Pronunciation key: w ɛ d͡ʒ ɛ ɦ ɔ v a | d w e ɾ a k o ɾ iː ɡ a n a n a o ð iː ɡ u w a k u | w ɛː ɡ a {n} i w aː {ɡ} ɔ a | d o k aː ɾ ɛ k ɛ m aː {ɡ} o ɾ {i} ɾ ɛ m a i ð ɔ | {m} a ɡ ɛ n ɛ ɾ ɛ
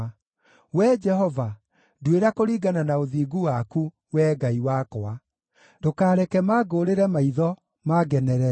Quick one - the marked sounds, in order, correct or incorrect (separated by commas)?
incorrect, incorrect, correct, incorrect, correct